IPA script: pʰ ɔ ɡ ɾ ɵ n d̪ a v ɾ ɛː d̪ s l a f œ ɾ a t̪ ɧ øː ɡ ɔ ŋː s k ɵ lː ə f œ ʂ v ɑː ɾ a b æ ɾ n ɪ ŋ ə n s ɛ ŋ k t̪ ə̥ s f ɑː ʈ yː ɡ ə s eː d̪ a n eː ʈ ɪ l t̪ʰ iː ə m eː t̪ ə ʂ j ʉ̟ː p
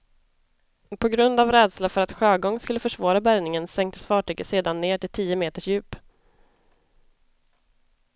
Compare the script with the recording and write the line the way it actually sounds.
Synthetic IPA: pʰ ɔ ɡ ɾ ɵ n d̪ a v ɾ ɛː d̪ s l a f œ ɾ a t̪ ɧ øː ɡ ɔ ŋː s k ɵ lː ə f œ ʂ v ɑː ɾ a b æ ɾ n ɪ ŋ ə n s ɛ ŋ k t̪ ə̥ s f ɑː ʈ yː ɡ ə s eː d̪ a nː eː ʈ ɪ l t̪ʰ iː ə m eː t̪ ə ʂ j ʉ̟ː p